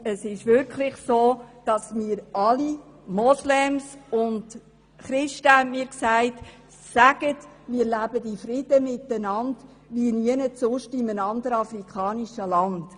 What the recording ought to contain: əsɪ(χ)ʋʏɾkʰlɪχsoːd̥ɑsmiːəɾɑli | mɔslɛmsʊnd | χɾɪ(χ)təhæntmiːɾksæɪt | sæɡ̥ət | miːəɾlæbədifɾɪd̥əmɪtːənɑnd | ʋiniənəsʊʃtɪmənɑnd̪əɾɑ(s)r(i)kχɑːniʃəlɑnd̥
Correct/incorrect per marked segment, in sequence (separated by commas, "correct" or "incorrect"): incorrect, incorrect, incorrect, correct